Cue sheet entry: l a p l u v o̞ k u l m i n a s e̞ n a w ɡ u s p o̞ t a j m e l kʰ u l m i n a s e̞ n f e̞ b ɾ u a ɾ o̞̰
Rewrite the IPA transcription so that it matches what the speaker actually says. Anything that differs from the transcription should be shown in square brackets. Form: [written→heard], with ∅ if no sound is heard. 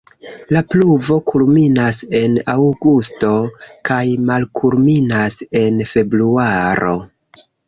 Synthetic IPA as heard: l a p l u v o̞ k u l m i n a s e̞ n a w ɡ u s [p→t] o̞ [t→k] a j m [e→a] l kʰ u l m i n a s e̞ n f e̞ b ɾ u a ɾ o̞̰